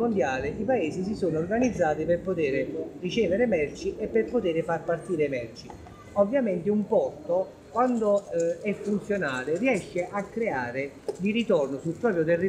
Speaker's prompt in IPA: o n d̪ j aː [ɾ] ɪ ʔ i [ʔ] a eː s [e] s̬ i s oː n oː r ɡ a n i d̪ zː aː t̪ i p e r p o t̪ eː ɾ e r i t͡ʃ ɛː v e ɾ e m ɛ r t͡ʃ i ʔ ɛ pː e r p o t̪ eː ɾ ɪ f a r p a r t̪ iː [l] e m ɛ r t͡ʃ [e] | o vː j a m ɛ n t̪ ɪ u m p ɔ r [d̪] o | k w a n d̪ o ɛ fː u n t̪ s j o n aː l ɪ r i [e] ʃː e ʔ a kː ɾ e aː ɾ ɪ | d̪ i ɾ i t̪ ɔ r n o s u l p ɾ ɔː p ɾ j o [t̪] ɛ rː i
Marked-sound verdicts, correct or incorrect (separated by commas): incorrect, incorrect, incorrect, incorrect, incorrect, incorrect, incorrect, correct